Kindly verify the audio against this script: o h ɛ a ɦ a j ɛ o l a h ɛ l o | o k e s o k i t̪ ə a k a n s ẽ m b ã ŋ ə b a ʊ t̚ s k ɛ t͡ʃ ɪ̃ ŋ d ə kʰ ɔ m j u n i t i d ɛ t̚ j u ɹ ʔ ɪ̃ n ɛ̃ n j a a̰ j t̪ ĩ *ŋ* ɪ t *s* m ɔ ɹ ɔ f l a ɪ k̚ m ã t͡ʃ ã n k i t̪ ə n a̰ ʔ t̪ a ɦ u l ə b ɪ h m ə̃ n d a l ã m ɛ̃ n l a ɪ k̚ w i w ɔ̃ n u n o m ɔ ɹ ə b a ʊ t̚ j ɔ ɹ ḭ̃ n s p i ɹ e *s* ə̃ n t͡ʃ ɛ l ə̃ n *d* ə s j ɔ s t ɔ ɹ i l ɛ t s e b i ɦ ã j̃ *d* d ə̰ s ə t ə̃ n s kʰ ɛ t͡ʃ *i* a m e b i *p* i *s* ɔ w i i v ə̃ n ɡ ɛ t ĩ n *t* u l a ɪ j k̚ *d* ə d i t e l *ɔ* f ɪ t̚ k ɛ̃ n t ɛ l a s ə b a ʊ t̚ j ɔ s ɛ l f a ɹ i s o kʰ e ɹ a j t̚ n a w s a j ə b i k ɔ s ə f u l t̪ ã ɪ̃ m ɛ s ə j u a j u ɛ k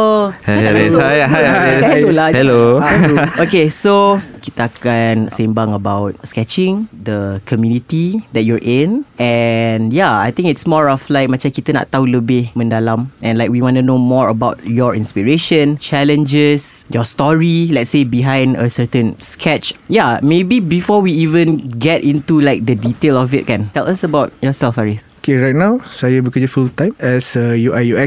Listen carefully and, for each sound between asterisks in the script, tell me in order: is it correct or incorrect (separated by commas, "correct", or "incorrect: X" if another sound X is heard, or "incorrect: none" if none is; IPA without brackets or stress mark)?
correct, correct, incorrect: ʃ, incorrect: d͡ʒ, incorrect: n, incorrect: j, incorrect: b, incorrect: f, correct, correct, correct